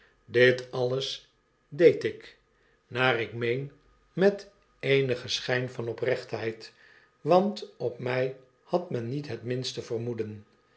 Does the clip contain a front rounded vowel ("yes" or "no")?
no